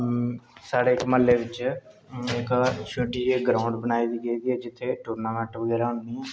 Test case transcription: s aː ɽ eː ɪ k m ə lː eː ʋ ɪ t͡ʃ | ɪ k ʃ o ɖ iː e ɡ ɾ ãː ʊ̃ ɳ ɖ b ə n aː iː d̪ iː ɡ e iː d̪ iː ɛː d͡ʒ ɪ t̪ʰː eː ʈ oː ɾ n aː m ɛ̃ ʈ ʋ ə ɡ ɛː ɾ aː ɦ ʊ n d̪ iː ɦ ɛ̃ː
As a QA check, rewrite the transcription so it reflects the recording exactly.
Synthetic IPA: s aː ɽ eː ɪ k m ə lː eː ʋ ɪ t͡ʃ | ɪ k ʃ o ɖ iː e ɡ ɾ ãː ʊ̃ ɳ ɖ b ə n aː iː d̪ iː ɡ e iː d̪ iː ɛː d͡ʒ ɪ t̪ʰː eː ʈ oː ɾ n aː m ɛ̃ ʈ ʋ ə ɡ ɛː ɾ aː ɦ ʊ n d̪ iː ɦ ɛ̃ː